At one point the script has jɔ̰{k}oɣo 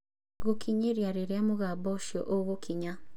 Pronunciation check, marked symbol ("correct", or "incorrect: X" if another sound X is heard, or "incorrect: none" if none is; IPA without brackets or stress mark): incorrect: ʔ